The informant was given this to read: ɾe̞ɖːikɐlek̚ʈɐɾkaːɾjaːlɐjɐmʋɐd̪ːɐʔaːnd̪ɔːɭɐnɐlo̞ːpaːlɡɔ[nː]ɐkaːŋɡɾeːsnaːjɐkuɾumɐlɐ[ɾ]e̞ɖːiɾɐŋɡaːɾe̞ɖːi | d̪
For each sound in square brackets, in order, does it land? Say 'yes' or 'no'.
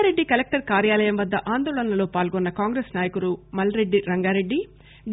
yes, yes

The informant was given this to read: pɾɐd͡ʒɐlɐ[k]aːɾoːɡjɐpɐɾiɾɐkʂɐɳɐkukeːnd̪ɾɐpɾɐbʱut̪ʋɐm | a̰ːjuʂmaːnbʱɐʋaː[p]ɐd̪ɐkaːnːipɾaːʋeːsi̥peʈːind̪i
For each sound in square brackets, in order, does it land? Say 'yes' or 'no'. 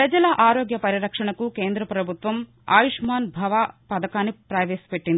no, yes

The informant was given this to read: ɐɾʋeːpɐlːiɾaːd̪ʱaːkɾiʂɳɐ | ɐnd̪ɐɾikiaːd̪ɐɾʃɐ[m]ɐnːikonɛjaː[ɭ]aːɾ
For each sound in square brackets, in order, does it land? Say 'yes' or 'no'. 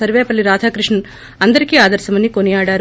yes, no

